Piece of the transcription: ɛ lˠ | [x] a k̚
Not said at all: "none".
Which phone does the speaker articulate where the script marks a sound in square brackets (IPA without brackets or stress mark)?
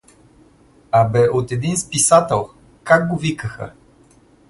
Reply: k